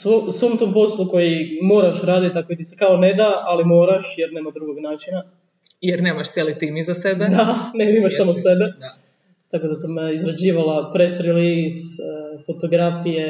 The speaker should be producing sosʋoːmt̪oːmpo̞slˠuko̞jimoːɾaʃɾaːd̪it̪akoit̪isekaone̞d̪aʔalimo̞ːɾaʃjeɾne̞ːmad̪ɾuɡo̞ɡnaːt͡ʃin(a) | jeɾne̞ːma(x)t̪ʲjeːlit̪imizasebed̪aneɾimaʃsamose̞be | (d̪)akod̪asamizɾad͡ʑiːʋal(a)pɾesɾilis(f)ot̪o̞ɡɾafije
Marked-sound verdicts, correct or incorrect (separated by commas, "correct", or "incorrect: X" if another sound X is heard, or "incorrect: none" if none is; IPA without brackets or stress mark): correct, incorrect: ʃ, incorrect: t̪, correct, correct